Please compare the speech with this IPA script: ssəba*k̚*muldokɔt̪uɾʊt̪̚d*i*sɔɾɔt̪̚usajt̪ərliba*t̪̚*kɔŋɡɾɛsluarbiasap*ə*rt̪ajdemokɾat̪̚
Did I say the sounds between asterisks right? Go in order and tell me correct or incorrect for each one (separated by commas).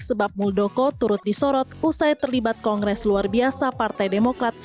incorrect, correct, correct, incorrect